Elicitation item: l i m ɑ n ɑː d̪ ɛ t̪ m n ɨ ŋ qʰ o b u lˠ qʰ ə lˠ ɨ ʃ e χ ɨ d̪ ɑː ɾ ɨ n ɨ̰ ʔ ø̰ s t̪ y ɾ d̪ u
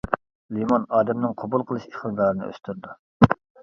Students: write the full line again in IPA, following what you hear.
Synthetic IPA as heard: l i m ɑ n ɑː d̪ ɛ m n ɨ ŋ qʰ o b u lˠ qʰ ə lˠ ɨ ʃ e χ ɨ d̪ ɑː ɾ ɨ n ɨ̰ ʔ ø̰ s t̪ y ɾ d̪ u